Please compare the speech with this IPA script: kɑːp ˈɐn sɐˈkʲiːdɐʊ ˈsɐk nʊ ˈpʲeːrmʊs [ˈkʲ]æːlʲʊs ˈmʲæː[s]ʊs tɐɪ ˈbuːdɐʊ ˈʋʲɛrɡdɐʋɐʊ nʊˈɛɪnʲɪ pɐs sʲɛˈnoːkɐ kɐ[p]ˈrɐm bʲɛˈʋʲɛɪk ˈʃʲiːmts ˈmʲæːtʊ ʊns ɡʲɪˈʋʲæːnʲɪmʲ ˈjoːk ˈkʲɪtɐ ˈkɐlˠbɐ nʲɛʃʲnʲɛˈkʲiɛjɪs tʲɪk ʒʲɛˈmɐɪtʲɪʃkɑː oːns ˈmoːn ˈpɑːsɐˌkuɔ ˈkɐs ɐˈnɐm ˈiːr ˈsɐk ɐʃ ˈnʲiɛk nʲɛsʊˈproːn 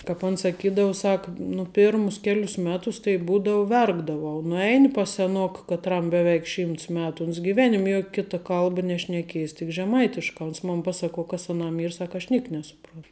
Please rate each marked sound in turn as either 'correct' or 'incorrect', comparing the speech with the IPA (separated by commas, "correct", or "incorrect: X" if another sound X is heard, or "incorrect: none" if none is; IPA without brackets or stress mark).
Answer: correct, incorrect: t, incorrect: t